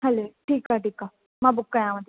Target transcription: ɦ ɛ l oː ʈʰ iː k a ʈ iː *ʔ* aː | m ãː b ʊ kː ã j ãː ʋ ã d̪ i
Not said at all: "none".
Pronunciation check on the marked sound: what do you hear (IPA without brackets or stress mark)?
k